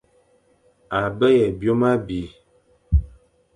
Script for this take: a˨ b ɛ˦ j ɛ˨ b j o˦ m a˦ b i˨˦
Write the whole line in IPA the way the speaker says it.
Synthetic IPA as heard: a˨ b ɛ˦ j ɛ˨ b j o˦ m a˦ b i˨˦